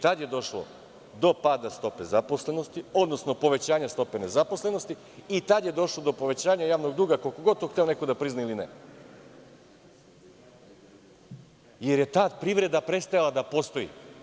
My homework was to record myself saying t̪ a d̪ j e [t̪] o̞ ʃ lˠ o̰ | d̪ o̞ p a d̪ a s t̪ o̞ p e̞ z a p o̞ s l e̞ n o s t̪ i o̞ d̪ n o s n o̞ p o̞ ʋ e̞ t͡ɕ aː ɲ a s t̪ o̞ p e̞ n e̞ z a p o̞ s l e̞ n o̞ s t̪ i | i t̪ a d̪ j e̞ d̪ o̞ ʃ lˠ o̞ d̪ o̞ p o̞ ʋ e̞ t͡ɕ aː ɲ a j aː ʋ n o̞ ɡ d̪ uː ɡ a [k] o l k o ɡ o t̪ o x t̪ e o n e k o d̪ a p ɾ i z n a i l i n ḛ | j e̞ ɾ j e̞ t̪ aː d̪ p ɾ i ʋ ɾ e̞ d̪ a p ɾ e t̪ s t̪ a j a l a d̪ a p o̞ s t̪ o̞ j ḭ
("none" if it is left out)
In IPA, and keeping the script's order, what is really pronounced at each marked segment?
d̪, k

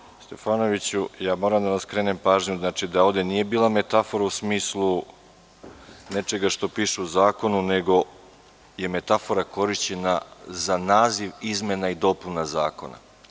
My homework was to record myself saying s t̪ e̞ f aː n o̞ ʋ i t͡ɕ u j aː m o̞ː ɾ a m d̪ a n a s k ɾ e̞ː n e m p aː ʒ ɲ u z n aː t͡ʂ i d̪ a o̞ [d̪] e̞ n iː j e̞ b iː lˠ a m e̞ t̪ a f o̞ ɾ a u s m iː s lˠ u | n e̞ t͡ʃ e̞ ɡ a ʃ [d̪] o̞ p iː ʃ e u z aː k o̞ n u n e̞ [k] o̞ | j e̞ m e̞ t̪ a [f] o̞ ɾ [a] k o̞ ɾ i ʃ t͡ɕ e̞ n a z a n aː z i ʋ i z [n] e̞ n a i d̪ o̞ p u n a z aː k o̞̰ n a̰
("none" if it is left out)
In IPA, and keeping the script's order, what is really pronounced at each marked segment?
d̪, t̪, ɡ, f, a, m

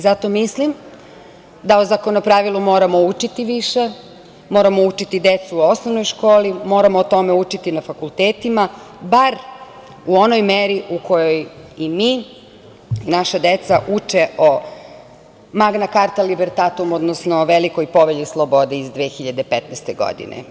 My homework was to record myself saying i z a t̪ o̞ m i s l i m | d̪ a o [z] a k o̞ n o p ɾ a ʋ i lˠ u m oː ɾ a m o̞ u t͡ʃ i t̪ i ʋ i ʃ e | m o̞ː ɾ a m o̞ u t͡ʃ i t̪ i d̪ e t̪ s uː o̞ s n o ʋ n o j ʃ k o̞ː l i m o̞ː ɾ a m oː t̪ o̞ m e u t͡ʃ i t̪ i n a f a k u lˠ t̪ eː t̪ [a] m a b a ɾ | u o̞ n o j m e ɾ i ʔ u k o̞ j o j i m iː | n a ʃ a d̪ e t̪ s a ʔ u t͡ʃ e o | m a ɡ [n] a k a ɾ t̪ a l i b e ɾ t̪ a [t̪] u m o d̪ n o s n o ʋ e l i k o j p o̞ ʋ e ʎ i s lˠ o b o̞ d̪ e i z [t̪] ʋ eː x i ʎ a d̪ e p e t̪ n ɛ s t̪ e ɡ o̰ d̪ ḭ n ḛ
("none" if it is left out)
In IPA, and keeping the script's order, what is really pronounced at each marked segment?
z, i, n, t̪, d̪

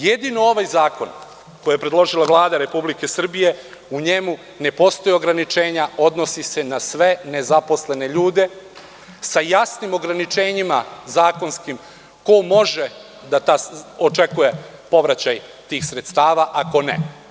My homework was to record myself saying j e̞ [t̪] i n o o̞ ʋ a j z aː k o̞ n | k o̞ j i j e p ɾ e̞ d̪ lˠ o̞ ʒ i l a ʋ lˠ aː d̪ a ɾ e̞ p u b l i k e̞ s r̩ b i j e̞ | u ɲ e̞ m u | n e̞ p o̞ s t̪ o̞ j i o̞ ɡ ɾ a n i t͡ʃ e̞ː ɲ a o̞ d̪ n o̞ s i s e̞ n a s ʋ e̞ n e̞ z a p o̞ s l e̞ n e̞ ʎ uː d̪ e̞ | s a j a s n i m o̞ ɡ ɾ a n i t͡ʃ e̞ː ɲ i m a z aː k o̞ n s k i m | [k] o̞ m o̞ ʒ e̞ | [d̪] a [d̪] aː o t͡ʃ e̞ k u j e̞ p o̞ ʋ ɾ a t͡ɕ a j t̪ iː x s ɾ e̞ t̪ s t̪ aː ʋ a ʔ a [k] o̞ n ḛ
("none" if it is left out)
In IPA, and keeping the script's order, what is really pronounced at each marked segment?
d̪, k, d̪, t̪, k

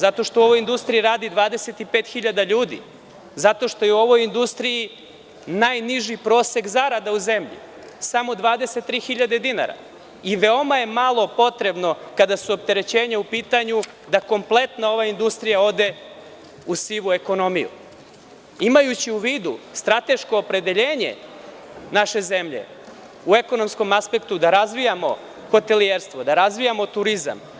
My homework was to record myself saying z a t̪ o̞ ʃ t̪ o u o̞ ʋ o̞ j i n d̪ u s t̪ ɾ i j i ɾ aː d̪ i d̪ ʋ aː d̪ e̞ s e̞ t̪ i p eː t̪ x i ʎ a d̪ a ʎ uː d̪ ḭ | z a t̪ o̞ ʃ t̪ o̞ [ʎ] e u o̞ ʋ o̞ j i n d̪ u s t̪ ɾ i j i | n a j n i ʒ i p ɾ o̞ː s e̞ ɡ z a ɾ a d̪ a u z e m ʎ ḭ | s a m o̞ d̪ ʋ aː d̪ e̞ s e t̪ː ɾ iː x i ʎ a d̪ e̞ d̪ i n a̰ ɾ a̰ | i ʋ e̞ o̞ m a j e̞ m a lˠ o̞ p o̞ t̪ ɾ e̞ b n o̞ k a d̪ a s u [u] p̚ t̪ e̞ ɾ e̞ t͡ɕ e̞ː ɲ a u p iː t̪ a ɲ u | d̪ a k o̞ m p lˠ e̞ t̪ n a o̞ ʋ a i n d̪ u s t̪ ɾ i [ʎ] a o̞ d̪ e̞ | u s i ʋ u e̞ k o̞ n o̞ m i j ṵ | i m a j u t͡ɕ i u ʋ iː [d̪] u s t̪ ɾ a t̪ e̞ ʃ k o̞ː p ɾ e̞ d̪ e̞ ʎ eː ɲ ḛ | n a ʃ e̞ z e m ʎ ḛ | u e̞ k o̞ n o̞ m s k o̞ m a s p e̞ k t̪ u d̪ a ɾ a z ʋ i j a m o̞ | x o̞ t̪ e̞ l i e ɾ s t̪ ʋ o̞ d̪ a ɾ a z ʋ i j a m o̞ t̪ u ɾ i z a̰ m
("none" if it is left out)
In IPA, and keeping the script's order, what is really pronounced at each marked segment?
j, o, j, d̪

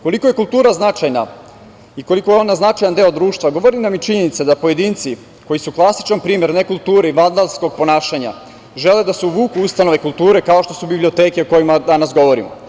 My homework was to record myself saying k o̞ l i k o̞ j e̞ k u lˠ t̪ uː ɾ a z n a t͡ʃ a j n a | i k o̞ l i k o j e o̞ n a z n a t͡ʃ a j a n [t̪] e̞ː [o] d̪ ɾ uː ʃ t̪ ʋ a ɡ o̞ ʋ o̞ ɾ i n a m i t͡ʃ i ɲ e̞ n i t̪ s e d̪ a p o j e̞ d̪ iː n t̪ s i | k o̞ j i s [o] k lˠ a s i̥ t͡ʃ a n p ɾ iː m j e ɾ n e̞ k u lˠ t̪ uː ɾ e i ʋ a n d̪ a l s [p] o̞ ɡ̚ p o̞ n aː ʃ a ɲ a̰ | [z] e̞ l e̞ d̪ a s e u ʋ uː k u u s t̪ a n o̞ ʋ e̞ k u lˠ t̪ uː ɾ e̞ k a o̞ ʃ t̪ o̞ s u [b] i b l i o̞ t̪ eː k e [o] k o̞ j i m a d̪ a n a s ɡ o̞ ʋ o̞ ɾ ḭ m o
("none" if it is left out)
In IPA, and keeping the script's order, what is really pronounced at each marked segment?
d̪, o, u, k, ʒ, b, o

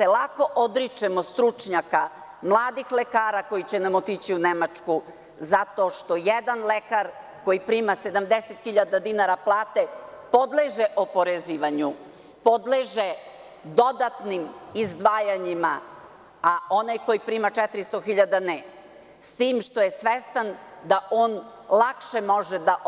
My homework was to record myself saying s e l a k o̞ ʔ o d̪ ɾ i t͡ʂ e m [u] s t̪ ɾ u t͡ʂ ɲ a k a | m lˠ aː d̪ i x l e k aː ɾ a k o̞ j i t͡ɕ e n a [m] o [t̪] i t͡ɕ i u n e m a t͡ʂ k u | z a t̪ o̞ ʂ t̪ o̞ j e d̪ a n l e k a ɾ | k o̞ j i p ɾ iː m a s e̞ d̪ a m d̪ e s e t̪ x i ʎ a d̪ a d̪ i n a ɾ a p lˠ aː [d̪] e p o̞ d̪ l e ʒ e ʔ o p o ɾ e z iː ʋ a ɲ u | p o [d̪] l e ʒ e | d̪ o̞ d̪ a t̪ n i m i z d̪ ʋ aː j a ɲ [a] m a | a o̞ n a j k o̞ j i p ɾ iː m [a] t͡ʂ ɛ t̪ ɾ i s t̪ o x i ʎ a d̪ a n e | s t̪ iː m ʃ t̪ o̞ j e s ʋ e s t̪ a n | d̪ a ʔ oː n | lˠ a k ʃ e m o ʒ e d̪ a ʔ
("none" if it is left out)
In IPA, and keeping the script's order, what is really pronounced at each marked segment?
o, m, t̪, t̪, d̪, i, a

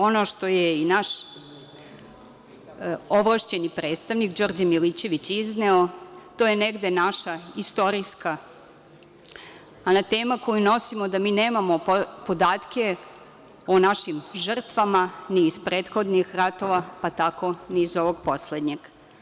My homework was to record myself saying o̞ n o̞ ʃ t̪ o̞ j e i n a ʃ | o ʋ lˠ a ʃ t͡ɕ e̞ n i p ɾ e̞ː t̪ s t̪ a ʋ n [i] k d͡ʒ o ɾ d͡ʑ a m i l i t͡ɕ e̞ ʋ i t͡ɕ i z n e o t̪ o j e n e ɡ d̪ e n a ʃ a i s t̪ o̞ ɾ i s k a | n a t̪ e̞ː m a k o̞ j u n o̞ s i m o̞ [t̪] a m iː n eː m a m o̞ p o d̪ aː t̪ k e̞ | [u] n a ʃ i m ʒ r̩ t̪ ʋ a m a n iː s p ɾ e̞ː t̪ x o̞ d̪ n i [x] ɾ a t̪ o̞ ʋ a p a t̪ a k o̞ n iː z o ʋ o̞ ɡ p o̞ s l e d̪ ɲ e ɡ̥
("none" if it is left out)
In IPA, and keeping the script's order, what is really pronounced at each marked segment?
i, d̪, o, x

